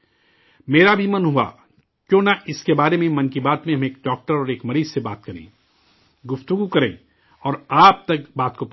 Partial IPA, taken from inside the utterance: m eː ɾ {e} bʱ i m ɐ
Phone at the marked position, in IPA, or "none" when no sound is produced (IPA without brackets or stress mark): a